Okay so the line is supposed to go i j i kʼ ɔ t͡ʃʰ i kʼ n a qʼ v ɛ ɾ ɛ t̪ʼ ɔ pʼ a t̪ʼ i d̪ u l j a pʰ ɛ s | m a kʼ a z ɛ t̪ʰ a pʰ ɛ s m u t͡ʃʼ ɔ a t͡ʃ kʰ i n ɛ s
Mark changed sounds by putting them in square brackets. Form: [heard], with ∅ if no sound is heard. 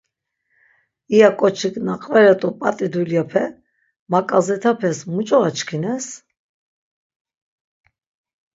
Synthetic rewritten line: i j [a] kʼ ɔ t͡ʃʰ i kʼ n a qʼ v ɛ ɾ ɛ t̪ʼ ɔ pʼ a t̪ʼ i d̪ u l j a pʰ ɛ [∅] | m a kʼ a z ɛ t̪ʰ a pʰ ɛ s m u t͡ʃʼ ɔ a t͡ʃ kʰ i n ɛ s